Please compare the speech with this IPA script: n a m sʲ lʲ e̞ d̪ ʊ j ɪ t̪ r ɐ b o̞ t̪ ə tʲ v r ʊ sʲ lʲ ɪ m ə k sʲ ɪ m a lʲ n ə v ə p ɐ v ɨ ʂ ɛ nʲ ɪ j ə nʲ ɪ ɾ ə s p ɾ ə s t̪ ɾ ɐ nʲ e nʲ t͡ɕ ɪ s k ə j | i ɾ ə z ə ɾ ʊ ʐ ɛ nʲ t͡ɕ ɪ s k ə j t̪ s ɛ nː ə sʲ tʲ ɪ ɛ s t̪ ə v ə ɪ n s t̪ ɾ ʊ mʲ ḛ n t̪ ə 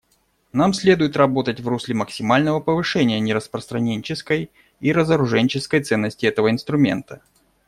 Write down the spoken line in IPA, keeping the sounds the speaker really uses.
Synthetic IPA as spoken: n a m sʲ lʲ e̞ d̪ ʊ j ɪ t̪ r ɐ b o̞ t̪ ə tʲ v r u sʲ lʲ ɪ m ə k sʲ ɪ m a lʲ n ə v ə p ə v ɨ ʂ ɛ nʲ ɪ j ə nʲ ɪ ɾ ə s p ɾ ə s t̪ ɾ ɐ nʲ e nʲ t͡ɕ ɪ s k ə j | i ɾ ə z ə ɾ ʊ ʐ ɛ nʲ t͡ɕ ɪ s k ə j t̪ s ɛ nː ə sʲ tʲ ɪ ɛ t̪ ə v ə ɪ n s t̪ ɾ ʊ mʲ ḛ n t̪ ə